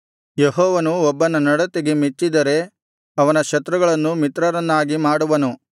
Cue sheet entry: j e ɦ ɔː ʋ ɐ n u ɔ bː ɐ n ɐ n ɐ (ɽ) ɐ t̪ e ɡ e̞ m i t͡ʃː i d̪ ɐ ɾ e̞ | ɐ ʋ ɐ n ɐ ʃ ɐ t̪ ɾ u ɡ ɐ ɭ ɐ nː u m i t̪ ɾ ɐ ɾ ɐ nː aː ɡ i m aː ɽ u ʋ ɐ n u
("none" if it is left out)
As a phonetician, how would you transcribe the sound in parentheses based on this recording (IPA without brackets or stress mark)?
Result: ɽ